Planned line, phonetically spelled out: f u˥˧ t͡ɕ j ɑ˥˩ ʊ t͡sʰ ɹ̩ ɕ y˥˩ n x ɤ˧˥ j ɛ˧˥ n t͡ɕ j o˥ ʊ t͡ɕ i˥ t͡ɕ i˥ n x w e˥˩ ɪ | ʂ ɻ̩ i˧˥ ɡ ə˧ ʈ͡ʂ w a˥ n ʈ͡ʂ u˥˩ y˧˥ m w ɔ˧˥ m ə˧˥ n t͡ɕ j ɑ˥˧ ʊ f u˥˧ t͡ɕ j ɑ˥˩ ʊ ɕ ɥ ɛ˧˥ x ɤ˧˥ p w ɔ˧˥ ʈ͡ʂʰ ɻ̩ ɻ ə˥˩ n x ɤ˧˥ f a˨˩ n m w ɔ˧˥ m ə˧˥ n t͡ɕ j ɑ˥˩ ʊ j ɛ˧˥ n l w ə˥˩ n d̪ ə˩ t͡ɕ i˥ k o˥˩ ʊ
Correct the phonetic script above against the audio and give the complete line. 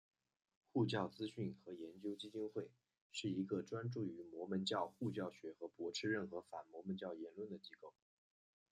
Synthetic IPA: x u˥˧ t͡ɕ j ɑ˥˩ ʊ t͡s ɹ̩ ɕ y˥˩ n x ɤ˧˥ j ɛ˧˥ n t͡ɕ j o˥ ʊ t͡ɕ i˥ t͡ɕ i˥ n x w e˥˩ ɪ | ʂ ɻ̩ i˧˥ ɡ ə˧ ʈ͡ʂ w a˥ n ʈ͡ʂ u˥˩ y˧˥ m w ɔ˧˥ m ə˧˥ n t͡ɕ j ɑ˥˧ ʊ x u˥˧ t͡ɕ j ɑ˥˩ ʊ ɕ ɥ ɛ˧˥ x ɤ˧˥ p w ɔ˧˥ ʈ͡ʂʰ ɻ̩ ɻ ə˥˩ n x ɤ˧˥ f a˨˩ n m w ɔ˧˥ m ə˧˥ n t͡ɕ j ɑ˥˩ ʊ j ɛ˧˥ n l w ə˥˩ n d̪ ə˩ t͡ɕ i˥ k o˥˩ ʊ